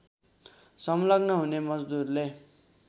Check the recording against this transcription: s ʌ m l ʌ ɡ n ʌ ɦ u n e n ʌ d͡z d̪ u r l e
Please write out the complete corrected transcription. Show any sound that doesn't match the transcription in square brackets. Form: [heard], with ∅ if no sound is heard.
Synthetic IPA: s ʌ m l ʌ ɡ n ʌ ɦ u n e [m] ʌ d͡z d̪ u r l e